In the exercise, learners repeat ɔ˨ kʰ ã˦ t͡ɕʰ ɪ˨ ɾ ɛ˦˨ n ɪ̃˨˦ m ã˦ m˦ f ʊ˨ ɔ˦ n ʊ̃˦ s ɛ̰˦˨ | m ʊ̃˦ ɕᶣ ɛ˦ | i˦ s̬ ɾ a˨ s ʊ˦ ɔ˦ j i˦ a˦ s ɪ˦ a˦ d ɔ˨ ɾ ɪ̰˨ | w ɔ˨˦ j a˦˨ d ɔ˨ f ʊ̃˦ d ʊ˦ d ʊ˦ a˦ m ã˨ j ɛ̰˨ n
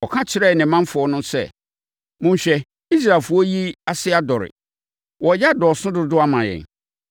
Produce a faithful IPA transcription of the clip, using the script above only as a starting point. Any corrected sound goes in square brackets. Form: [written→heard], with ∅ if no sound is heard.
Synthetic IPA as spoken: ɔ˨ kʰ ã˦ t͡ɕʰ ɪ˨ ɾ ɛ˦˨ n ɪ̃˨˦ m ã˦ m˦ f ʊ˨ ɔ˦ n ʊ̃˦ s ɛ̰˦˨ | m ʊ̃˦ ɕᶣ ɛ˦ | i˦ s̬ ɾ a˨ [s→f] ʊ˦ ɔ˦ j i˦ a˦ s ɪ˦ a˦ d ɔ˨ ɾ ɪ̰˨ | w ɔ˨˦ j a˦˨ d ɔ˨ [f→s] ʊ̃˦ d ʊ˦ d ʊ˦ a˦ m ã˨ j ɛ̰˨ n